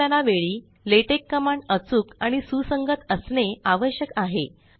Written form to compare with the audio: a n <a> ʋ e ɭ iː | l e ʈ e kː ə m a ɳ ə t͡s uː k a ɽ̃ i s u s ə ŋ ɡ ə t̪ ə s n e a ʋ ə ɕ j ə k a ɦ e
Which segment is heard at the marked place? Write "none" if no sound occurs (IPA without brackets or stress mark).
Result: a